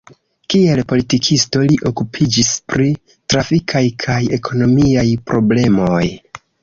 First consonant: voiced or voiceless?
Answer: voiceless